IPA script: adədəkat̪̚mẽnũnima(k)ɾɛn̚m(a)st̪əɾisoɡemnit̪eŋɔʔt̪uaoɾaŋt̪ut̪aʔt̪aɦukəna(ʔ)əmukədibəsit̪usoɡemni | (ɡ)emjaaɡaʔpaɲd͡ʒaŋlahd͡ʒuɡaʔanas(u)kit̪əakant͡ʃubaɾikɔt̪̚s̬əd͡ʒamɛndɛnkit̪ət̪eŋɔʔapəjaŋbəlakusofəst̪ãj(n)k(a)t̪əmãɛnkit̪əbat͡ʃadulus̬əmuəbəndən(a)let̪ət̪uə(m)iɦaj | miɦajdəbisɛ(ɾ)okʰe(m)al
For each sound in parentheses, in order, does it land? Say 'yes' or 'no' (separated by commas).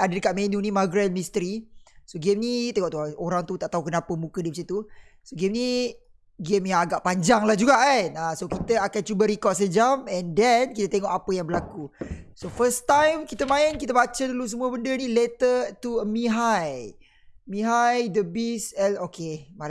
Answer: no, no, no, yes, no, no, no, no, yes, no, yes